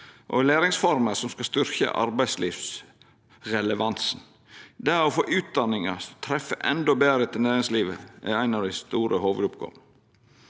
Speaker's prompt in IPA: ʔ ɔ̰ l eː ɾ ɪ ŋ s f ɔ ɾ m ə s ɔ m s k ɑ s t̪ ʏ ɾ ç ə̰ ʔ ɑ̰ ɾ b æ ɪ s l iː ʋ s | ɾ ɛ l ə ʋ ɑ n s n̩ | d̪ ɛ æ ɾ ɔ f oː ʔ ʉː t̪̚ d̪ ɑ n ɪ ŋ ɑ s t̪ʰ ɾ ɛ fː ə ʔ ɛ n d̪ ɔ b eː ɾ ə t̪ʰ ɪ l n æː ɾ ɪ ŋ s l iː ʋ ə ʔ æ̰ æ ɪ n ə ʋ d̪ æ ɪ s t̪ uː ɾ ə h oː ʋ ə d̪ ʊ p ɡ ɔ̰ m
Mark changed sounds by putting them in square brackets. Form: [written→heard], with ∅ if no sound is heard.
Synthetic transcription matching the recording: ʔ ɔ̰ l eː ɾ ɪ ŋ s f ɔ ɾ m ə s ɔ m s k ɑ s t̪ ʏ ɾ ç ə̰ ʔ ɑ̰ ɾ b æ ɪ s l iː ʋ s | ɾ ɛ l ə ʋ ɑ n s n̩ | d̪ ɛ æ ɾ ɔ f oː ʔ ʉː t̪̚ d̪ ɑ n ɪ ŋ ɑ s t̪ʰ ɾ ɛ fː ə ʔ ɛ n d̪ ɔ b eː ɾ ə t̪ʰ ɪ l n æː ɾ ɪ ŋ s l iː ʋ ə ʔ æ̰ æ ɪ n [ə→ɑ] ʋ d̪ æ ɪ s t̪ uː ɾ ə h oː ʋ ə d̪ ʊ p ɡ ɔ̰ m